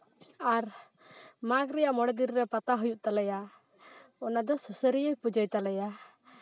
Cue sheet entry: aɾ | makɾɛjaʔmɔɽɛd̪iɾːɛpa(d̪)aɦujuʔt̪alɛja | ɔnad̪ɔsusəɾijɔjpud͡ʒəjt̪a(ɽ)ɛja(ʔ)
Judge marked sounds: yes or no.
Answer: no, no, no

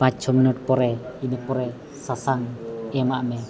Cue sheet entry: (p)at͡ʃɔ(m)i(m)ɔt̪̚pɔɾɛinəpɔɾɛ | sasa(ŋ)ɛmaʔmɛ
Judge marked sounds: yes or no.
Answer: yes, yes, no, yes

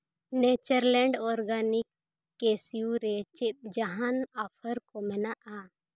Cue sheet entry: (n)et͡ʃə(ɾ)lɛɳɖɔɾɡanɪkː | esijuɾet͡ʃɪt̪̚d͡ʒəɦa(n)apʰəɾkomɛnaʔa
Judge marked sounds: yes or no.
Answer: yes, yes, yes

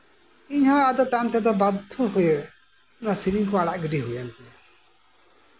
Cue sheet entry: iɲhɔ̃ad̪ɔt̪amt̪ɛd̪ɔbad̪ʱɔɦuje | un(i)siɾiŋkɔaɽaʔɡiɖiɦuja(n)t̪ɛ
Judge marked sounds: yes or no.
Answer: no, yes

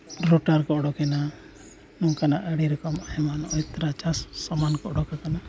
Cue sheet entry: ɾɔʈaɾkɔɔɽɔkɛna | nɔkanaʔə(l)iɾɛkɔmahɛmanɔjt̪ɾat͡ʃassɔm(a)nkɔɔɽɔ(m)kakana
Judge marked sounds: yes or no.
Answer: no, yes, no

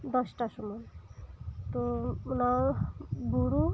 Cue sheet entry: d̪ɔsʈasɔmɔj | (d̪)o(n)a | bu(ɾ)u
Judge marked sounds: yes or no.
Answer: no, yes, yes

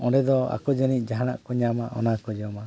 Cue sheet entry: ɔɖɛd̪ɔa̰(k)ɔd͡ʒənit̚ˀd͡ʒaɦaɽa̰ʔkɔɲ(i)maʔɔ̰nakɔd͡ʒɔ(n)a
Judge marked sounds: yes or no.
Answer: yes, no, no

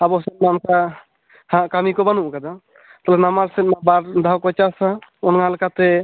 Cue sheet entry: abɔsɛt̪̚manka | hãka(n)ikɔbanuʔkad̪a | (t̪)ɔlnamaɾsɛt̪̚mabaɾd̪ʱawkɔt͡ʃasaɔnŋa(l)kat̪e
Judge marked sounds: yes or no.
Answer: no, yes, yes

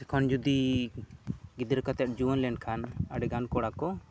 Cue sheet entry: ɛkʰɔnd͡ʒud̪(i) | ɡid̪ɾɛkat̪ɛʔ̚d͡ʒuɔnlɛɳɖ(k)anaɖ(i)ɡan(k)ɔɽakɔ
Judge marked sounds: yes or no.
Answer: yes, no, no, yes

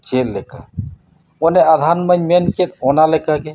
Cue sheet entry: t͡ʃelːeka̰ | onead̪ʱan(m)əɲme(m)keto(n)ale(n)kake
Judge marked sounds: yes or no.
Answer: yes, no, yes, no

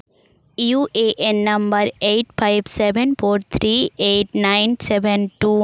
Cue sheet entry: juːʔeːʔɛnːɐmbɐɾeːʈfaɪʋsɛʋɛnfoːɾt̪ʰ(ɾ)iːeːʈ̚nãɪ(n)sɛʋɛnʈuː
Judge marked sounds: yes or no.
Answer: yes, yes

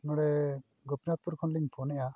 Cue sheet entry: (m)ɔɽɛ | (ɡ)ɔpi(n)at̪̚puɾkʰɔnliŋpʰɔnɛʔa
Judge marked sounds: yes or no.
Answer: no, yes, yes

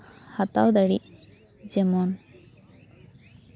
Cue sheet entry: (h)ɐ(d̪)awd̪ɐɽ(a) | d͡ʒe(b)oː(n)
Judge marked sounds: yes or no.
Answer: yes, no, no, no, yes

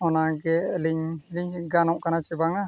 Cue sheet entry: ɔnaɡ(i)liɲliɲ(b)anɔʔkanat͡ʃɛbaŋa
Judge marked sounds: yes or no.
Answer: no, no

